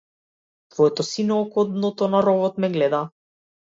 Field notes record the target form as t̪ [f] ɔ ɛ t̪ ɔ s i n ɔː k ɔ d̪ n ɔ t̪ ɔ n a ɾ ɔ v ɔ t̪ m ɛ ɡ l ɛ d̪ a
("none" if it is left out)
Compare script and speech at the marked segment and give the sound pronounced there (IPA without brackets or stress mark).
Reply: v